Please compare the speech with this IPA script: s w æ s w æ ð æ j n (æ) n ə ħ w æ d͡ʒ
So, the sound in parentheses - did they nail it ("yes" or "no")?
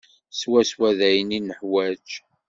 no